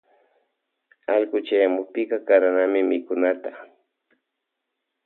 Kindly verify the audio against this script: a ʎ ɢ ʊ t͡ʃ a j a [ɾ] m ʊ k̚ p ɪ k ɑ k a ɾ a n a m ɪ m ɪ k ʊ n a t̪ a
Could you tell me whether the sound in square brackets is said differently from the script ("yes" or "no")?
yes